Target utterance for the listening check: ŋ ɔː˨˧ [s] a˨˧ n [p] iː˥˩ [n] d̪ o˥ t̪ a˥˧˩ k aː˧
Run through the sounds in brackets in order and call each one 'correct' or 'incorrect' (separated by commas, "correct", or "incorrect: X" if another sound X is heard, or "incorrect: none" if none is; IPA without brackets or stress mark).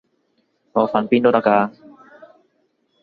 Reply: incorrect: f, correct, correct